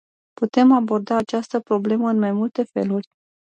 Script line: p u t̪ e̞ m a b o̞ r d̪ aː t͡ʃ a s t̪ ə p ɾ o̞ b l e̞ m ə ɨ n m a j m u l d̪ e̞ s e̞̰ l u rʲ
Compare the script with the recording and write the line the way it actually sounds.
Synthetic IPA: p u t̪ e̞ m a b o̞ r d̪ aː t͡ʃ a s t̪ ə p ɾ o̞ b l e̞ m ə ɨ n m a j m u l t̪ e̞ f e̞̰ l u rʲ